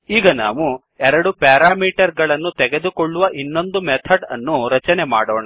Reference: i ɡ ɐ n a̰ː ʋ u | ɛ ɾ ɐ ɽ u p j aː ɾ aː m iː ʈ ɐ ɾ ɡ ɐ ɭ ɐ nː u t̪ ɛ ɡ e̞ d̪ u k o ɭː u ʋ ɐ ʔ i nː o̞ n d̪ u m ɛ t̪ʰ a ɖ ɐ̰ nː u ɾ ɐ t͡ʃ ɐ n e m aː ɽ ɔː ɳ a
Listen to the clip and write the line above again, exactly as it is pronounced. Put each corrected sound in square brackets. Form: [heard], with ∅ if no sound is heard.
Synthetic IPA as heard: [iː] ɡ ɐ n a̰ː ʋ u | ɛ ɾ ɐ ɽ u p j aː ɾ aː m iː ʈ ɐ ɾ ɡ ɐ ɭ ɐ nː u t̪ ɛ ɡ e̞ d̪ u k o ɭː u ʋ ɐ ʔ i nː o̞ n d̪ u m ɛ t̪ʰ [ɐ] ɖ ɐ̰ nː u ɾ ɐ t͡ʃ ɐ n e m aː ɽ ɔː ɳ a

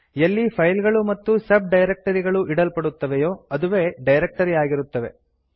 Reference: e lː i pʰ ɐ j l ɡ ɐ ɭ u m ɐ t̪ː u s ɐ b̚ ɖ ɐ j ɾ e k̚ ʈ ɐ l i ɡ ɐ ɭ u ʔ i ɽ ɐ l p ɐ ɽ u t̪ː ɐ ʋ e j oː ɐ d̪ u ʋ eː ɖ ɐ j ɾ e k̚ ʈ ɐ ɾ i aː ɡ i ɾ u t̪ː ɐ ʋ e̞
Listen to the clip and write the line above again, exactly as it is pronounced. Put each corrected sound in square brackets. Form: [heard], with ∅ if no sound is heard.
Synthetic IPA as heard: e lː i pʰ ɐ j l ɡ ɐ ɭ u m ɐ t̪ː u s ɐ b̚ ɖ ɐ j ɾ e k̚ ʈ ɐ [ɾ] i ɡ ɐ ɭ u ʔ i ɽ ɐ l p ɐ ɽ u t̪ː ɐ ʋ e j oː ɐ d̪ u ʋ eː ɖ ɐ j ɾ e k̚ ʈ ɐ ɾ i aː ɡ i ɾ u t̪ː ɐ ʋ e̞

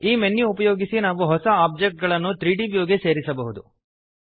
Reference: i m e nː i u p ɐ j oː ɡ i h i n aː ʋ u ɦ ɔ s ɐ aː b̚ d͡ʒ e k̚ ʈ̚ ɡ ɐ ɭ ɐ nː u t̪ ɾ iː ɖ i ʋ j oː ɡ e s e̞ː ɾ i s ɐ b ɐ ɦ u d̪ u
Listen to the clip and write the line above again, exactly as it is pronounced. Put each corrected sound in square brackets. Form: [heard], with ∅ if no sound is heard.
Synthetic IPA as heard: [iː] m e nː i u p ɐ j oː ɡ i [s] i n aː ʋ u ɦ ɔ s ɐ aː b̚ d͡ʒ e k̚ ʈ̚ ɡ ɐ ɭ ɐ nː u t̪ ɾ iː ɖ i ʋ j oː ɡ e s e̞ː ɾ i s ɐ b ɐ ɦ u d̪ u

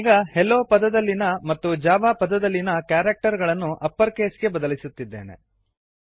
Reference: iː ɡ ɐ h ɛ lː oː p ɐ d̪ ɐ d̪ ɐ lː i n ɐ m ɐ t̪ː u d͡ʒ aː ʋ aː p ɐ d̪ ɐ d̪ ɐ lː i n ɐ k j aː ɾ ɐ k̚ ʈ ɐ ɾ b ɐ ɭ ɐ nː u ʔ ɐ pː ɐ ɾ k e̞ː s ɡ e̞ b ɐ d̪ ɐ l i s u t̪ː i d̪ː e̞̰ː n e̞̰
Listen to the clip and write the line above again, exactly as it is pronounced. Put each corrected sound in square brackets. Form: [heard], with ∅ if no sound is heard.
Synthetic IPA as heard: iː ɡ ɐ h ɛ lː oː p ɐ d̪ ɐ d̪ ɐ lː i n ɐ m ɐ t̪ː u d͡ʒ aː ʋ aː p ɐ d̪ ɐ d̪ ɐ lː i n ɐ k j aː ɾ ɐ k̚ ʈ ɐ ɾ [ɡ] ɐ ɭ ɐ nː u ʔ ɐ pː ɐ ɾ k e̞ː s ɡ e̞ b ɐ d̪ ɐ l i s u t̪ː i d̪ː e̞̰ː n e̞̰

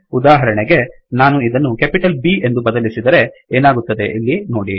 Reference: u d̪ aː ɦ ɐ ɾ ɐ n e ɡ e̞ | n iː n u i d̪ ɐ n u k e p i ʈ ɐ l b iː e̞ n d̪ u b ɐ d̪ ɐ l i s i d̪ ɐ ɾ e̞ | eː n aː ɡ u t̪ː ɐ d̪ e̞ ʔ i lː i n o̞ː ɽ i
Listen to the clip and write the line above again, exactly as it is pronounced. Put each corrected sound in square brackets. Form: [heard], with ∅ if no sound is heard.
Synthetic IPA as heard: u d̪ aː ɦ ɐ ɾ ɐ [ɳ] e ɡ e̞ | n [aː] n u i d̪ ɐ [nː] u k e p i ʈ ɐ l b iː e̞ n d̪ u b ɐ d̪ ɐ l i s i d̪ ɐ ɾ e̞ | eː n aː ɡ u t̪ː ɐ d̪ e̞ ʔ i lː i n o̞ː ɽ i

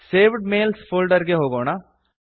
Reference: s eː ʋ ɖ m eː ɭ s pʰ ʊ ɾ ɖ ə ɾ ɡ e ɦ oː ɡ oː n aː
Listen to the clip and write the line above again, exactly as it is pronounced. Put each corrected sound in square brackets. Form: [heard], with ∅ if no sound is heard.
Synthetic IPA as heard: s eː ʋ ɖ m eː [l] s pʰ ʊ [l] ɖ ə ɾ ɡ e ɦ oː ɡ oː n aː

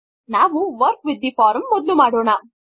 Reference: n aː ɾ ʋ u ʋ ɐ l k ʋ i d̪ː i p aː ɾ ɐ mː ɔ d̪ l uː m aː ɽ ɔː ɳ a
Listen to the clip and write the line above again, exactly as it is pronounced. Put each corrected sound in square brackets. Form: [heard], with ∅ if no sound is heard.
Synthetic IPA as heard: n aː [∅] ʋ u ʋ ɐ [ɾ] k ʋ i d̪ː i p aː ɾ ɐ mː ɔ d̪ l [u] m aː ɽ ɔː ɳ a

